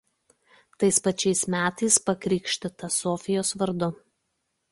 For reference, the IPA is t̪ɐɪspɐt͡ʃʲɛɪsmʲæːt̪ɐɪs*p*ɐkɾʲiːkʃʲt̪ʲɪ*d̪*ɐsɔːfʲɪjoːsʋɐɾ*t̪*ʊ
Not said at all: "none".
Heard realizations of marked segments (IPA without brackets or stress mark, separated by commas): p, t̪, d̪